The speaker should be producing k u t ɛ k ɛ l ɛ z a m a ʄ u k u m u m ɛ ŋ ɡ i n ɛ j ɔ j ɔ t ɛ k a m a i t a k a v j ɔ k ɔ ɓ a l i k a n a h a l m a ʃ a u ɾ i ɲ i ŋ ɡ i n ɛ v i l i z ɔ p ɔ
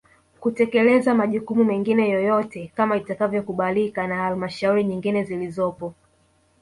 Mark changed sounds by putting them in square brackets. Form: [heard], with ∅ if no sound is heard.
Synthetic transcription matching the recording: k u t ɛ k ɛ l ɛ z a m a ʄ u k u m u m ɛ ŋ ɡ i n ɛ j ɔ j ɔ t ɛ k a m a i t a k a v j ɔ k [u] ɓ a l i k a n a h a l m a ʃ a u ɾ i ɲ i ŋ ɡ i n ɛ [z] i l i z ɔ p ɔ